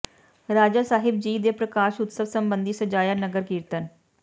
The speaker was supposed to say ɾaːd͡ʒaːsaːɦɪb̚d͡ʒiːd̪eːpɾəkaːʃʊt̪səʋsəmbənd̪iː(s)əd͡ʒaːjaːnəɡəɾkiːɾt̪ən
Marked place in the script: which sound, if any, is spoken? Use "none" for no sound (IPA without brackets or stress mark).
s